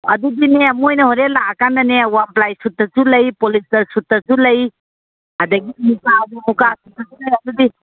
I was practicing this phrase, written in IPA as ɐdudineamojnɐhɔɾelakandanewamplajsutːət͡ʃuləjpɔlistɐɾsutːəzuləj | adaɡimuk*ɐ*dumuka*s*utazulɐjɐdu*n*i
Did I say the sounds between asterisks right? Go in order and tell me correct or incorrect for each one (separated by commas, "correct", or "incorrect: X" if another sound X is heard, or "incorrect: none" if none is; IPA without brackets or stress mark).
incorrect: a, correct, incorrect: d